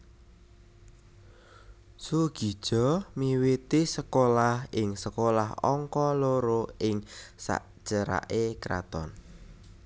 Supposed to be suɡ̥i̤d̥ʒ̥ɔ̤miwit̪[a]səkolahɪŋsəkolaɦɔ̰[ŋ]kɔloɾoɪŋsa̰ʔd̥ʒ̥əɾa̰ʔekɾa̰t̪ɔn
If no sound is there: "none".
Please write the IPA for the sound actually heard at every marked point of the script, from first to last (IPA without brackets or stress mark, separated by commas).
i, ŋ